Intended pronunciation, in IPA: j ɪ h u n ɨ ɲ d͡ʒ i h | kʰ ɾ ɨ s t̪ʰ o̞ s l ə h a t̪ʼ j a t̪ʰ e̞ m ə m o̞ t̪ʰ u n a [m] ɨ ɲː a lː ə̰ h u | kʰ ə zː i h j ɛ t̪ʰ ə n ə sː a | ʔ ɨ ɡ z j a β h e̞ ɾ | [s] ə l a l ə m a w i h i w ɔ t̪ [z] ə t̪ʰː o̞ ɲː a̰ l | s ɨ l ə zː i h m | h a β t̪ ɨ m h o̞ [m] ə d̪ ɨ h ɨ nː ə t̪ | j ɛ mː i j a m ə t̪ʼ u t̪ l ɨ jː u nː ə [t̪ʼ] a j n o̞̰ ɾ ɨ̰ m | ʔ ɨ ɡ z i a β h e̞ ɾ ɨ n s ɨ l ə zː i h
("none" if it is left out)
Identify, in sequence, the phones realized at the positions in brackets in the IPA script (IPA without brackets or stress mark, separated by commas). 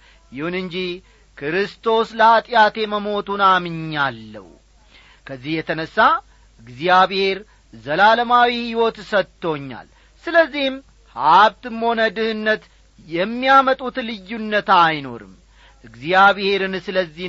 m, z, s, n, t̪